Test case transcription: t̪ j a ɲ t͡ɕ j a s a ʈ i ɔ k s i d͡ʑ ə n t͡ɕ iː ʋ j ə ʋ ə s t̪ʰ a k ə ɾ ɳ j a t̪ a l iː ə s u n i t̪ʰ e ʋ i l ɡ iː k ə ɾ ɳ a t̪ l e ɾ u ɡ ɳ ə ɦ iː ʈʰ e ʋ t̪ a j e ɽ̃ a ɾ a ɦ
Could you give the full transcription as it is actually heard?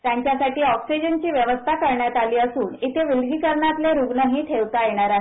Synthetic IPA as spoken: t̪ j a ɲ t͡ɕ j a s a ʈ iː ɔ k s i d͡ʑ ə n t͡ɕ iː ʋ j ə ʋ ə s t̪ʰ a k ə ɾ ɳ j a t̪ a l iː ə s uː n i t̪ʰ e ʋ i l ɡ iː k ə ɾ ɳ a t̪ l e ɾ u ɡ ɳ ə ɦ iː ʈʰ e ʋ t̪ a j e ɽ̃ a ɾ a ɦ

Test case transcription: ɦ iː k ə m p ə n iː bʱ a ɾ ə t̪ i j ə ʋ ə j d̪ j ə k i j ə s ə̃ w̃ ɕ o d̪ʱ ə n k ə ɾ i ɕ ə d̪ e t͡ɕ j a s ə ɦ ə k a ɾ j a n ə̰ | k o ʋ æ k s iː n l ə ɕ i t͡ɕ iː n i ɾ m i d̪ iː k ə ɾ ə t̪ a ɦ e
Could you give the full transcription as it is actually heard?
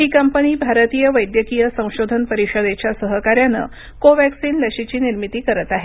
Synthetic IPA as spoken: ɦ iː k ə m p ə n iː bʱ a ɾ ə t̪ i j ə ʋ ə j d̪ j ə k i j ə s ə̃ w̃ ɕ o d̪ʱ ə n p ə ɾ i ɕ ə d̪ e t͡ɕ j a s ə ɦ ə k a ɾ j a n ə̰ | k o ʋ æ k s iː n l ə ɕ i t͡ɕ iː n i ɾ m i t̪ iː k ə ɾ ə t̪ a ɦ e

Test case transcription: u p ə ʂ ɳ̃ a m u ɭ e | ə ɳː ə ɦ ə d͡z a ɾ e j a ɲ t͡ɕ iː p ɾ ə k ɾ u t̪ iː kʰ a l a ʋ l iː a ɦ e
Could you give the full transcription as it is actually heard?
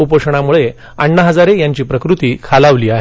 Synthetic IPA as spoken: u p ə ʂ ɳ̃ a m u ɭ e | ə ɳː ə ɦ ə d͡z a ɾ e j a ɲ t͡ɕ iː p ɾ ə k ɾ u t̪ iː kʰ a l a ʋ l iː a ɦ e

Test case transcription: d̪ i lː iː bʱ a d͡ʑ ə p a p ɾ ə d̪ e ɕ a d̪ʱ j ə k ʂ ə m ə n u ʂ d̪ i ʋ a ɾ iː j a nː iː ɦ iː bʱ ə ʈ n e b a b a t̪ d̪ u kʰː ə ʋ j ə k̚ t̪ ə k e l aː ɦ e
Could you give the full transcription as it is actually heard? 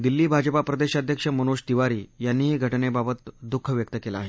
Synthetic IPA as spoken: d̪ i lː iː bʱ a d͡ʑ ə p a p ɾ ə d̪ e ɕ a d̪ʱ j ə k ʂ ə m ə n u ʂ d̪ i ʋ a ɾ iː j a nː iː ɦ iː ɡʱ ə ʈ n e b a b ə t̪ d̪ u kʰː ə ʋ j ə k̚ t̪ ə k e l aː ɦ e

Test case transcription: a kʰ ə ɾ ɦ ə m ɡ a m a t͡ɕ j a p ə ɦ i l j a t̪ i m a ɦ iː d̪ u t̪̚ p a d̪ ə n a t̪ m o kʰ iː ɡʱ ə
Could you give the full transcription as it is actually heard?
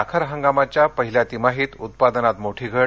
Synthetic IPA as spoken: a kʰ ə ɾ ɦ ə ŋ ɡ a m a t͡ɕ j a p ə ɦ i l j a t̪ i m a ɦ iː t̪ u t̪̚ p a d̪ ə n a t̪ m o ʈʰ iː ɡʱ ə

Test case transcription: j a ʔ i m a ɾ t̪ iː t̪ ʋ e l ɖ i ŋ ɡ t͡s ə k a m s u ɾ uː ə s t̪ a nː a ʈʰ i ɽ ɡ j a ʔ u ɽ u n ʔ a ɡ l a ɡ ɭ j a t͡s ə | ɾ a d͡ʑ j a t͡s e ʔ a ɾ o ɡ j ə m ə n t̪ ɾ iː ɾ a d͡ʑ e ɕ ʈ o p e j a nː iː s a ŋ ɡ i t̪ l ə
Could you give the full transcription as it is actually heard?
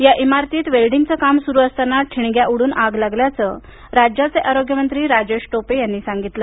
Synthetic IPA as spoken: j a ʔ i m a ɾ t̪ iː t̪ ʋ e l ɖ i ŋ ɡ t͡s ə k a m s u ɾ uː ə s t̪ a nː a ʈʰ i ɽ ɡ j a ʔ u ɽ uː n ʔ a ɡ l a ɡ l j a t͡s ə | ɾ a d͡ʑ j a t͡s e ʔ a ɾ o ɡ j ə m ə n t̪ ɾ iː ɾ a d͡ʑ e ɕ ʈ o p e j a nː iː s a ŋ ɡ i t̪ l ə

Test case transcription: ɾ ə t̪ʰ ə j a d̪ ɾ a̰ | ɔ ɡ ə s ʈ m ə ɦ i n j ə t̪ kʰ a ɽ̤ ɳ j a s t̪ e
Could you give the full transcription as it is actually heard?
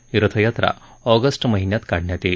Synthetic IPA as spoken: ɾ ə t̪ʰ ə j a t̪ ɾ a̰ | ɔ ɡ ə s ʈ m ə ɦ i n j a t̪ k a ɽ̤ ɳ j a t̪ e

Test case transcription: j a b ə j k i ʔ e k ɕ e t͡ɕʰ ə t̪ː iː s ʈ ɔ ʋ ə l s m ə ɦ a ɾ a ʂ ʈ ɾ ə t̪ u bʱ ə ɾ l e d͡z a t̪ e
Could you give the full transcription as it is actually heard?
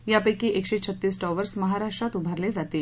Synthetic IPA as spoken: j a p ə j k i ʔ e k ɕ e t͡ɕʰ ə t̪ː iː s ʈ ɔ ʋ ə ɾ s m ə ɦ a ɾ a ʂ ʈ ɾ a t̪ u bʱ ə ɾ l e d͡z a t̪ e

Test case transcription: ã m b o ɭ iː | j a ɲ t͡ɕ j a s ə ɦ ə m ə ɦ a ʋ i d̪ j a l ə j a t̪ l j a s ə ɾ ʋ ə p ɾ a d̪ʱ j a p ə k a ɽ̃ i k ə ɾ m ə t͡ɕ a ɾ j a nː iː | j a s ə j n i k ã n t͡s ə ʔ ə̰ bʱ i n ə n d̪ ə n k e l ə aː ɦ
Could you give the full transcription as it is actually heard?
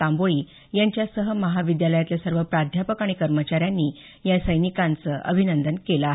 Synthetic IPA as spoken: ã m b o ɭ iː | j a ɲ t͡ɕ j a s ə ɦ ə m ə ɦ a ʋ i d̪ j a l ə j a t̪ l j a s ə ɾ ʋ ə p ɾ a d̪ʱ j a p ə k a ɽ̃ i k ə ɾ m ə t͡ɕ a ɾ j a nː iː | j a s ə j n i k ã n t͡s ə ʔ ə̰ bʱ i n ə n d̪ ə n k e l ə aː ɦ

